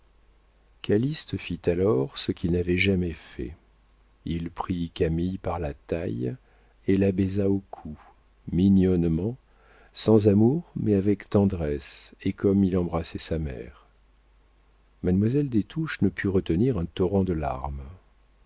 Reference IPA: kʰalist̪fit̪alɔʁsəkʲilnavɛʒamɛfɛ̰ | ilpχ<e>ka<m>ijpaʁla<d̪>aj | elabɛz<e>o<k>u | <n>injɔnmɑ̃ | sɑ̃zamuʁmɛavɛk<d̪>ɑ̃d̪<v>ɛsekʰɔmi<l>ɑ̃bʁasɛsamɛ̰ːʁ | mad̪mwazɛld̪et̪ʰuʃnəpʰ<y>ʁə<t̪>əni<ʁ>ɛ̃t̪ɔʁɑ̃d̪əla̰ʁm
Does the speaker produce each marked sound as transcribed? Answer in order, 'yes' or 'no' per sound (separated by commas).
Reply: no, yes, no, no, no, no, no, no, yes, yes, yes, yes